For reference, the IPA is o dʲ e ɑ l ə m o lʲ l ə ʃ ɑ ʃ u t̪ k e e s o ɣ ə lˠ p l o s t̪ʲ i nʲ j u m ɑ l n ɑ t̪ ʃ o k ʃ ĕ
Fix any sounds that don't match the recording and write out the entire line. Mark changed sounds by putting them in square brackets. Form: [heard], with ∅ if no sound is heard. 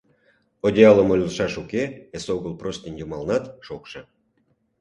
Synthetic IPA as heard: o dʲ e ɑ l ə m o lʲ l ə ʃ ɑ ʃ u [∅] k e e s o ɣ ə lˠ p [r] o s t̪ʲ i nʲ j u m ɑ l n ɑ t̪ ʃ o k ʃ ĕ